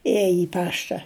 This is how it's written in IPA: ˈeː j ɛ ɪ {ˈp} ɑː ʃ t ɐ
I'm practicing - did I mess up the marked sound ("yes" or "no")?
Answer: no